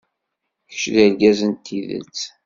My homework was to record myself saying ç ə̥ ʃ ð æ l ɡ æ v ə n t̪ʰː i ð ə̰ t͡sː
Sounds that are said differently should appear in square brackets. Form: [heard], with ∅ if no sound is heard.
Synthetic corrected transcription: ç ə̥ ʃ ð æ l ɡ æ [z] ə n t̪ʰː i ð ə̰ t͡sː